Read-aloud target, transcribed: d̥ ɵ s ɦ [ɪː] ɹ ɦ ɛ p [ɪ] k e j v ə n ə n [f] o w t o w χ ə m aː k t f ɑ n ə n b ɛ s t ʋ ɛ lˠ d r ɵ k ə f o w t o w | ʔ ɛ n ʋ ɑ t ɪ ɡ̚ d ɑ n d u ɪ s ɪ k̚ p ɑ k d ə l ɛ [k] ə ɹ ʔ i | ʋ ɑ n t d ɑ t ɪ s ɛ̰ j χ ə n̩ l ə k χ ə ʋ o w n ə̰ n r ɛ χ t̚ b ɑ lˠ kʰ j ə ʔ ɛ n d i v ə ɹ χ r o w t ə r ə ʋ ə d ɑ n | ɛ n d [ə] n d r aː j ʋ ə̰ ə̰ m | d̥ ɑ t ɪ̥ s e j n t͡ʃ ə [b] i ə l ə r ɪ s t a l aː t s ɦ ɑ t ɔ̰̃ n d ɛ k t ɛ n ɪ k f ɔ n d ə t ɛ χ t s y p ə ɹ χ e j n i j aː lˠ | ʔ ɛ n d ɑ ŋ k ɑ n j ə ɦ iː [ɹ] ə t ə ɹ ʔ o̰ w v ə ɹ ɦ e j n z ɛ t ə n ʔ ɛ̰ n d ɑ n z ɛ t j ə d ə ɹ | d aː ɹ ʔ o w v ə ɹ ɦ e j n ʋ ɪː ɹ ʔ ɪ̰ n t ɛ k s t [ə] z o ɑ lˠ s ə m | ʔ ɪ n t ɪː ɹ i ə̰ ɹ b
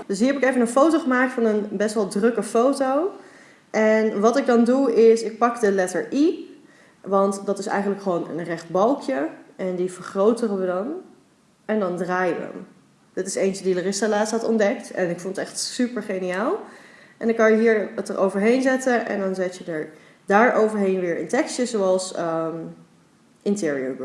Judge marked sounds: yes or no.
no, yes, yes, no, no, no, yes, yes

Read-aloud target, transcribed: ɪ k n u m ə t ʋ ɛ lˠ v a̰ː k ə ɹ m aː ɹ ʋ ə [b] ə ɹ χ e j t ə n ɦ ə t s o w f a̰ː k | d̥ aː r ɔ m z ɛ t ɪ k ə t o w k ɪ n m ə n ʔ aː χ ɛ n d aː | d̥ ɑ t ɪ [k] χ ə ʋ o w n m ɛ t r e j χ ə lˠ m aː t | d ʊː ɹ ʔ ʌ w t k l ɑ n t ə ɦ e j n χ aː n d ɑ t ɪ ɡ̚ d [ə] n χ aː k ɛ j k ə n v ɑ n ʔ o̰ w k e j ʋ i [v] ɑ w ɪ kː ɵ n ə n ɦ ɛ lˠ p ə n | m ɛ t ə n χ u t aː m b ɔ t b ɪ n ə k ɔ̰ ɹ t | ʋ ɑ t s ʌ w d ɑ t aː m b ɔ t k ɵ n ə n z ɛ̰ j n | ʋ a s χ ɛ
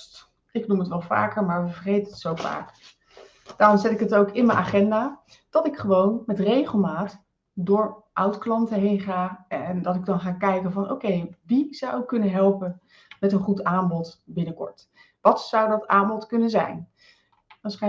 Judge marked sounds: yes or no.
no, yes, no, no

